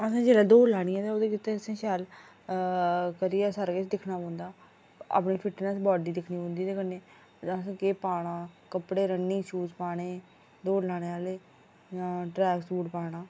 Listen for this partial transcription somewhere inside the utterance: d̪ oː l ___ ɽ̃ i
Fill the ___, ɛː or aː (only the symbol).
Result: aː